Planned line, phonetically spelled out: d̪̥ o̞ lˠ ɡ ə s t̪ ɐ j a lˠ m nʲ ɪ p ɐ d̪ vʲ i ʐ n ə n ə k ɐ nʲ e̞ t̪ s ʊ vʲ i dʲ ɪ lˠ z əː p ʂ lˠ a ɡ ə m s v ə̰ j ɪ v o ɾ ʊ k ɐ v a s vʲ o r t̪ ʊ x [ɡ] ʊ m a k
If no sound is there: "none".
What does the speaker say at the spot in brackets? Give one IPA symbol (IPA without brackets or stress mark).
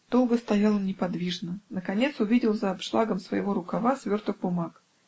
b